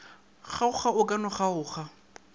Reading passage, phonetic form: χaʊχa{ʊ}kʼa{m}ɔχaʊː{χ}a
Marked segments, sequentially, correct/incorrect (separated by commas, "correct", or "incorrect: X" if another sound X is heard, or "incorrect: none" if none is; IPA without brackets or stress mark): correct, incorrect: n, correct